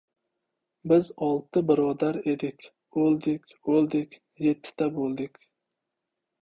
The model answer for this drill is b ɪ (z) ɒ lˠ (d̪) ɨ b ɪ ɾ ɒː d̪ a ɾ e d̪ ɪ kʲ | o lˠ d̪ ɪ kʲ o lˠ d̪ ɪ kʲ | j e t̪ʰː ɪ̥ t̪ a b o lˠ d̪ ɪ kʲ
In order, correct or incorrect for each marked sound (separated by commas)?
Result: correct, incorrect